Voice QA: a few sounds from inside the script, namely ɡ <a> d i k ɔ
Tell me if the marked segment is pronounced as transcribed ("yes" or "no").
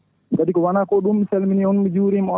yes